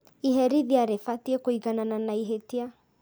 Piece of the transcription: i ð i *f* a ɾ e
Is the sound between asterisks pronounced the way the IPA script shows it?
no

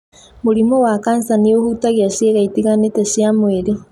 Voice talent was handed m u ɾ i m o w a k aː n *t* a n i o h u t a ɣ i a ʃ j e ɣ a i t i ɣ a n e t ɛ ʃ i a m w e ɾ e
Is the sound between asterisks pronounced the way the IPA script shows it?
no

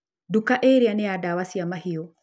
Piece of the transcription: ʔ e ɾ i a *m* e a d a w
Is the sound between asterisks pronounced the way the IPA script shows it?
no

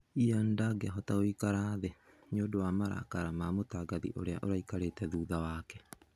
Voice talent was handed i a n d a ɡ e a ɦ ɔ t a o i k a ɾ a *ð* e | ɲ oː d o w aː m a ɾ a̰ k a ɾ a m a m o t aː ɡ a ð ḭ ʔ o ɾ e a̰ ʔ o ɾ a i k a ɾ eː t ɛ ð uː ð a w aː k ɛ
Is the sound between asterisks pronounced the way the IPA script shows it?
yes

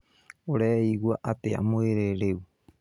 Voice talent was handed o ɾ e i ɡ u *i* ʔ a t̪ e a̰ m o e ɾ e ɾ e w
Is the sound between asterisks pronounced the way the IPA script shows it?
no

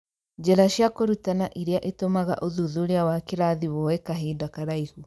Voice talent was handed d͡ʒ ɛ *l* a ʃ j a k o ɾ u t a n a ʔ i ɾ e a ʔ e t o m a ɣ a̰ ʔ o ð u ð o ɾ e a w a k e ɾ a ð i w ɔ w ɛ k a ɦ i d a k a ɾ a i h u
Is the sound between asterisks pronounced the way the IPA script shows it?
no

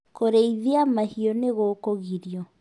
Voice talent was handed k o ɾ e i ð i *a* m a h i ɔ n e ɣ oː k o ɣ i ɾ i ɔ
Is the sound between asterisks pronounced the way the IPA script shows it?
yes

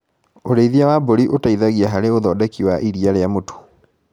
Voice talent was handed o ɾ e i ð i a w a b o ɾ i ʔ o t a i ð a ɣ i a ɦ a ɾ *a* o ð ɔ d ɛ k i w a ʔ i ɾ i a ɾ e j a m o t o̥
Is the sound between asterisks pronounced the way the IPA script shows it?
no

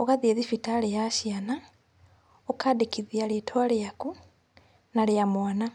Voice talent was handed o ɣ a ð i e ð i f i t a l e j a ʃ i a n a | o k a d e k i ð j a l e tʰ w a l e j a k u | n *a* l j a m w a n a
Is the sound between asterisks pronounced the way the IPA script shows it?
yes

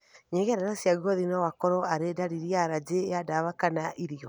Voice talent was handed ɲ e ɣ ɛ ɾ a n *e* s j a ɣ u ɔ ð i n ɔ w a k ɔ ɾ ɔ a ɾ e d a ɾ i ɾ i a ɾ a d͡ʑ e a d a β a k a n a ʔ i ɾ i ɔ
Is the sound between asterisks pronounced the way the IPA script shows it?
no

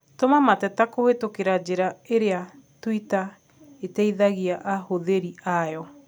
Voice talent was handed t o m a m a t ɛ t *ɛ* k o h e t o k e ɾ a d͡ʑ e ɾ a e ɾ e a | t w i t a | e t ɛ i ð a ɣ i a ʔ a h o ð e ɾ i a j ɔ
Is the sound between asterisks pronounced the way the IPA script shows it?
no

